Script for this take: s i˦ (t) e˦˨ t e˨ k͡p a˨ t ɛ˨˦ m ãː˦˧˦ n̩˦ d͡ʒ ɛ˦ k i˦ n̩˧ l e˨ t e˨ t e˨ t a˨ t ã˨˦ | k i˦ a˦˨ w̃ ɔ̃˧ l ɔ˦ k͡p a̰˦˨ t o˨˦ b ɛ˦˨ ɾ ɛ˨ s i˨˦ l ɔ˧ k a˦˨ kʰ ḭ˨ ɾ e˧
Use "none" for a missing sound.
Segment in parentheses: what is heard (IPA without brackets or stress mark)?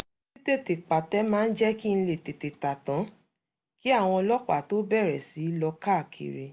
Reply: t